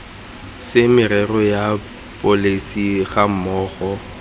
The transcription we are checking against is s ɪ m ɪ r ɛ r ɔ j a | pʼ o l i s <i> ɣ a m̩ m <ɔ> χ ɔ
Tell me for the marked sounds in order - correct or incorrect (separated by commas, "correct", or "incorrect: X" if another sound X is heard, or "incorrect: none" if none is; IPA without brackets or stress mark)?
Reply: correct, incorrect: ɔː